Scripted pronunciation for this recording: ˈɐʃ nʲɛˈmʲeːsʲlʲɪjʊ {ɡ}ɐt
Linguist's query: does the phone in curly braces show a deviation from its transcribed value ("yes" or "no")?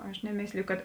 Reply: yes